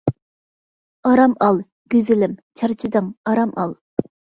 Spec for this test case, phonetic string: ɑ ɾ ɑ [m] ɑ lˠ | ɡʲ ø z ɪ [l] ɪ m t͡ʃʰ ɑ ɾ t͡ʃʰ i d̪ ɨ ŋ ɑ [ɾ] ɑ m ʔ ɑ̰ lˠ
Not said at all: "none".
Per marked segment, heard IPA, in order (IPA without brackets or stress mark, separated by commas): m, l, ɾ